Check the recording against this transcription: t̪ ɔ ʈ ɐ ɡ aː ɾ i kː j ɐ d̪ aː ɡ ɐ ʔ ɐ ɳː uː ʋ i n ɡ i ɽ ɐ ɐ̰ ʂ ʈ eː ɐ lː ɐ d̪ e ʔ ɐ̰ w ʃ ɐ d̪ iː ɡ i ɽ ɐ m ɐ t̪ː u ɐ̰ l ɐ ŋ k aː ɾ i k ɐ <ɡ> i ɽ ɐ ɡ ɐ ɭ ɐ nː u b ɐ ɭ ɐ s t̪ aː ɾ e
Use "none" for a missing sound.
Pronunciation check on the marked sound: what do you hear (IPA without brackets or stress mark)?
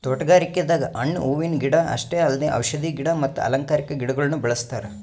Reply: ɡ